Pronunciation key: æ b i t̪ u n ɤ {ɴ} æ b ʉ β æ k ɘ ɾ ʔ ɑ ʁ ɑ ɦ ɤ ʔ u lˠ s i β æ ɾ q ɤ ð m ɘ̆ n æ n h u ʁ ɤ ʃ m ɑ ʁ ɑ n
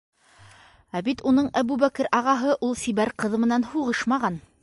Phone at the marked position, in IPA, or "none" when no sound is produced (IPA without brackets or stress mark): ɴ